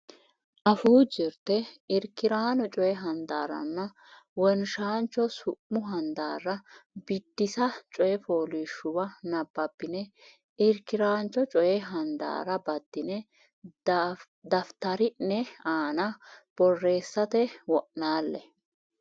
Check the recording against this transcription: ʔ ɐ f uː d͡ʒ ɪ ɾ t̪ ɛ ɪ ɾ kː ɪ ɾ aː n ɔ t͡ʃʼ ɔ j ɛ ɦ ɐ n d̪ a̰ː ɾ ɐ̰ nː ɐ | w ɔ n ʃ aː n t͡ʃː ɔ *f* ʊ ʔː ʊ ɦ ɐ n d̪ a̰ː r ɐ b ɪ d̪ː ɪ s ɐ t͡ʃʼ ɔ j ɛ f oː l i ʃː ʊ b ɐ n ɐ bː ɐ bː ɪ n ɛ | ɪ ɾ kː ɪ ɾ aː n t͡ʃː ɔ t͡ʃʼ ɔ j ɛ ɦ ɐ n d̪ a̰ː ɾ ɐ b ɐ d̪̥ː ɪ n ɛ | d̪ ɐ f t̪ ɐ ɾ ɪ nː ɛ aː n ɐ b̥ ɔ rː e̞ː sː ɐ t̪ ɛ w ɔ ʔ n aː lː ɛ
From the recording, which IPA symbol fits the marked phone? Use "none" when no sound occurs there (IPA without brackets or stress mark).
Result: s